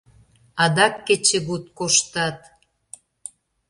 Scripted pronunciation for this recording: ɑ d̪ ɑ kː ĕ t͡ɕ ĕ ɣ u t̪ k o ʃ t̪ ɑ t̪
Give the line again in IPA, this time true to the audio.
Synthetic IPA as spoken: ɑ d̪ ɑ kː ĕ t͡ɕ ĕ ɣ u t̪ k o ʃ t̪ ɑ t̪